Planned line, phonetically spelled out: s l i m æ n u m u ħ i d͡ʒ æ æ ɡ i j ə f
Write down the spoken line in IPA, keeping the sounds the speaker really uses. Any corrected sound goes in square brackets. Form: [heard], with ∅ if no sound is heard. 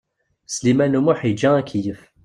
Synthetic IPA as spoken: s l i m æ n u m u ħ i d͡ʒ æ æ [k] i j ə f